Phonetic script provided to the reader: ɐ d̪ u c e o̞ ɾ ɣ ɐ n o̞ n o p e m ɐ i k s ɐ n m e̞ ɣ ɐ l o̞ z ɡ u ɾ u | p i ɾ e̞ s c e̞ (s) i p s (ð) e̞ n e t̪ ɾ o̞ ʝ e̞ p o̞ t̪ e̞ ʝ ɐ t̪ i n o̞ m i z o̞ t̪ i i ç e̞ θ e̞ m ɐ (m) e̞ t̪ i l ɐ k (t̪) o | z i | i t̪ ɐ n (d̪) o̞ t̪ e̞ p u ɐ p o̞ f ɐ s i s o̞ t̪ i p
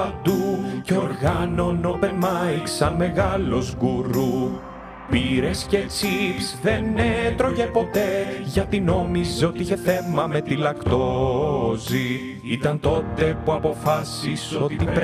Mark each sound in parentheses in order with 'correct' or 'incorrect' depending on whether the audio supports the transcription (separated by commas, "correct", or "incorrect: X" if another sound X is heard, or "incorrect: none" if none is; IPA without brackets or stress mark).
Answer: incorrect: t͡s, correct, correct, correct, incorrect: t̪